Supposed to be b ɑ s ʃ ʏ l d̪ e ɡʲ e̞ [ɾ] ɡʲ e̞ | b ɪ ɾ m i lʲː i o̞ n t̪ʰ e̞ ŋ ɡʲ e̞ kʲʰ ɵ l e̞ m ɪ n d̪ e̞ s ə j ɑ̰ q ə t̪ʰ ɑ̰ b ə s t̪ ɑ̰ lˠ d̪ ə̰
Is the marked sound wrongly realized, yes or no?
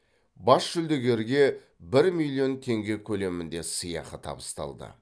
no